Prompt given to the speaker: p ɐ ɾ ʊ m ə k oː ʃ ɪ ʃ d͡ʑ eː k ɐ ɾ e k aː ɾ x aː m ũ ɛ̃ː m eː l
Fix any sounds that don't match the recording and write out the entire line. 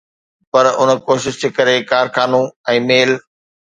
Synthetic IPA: p ɐ ɾ ʊ n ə k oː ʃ ɪ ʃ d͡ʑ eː k ɐ ɾ e k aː ɾ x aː n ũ ɛ̃ː m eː l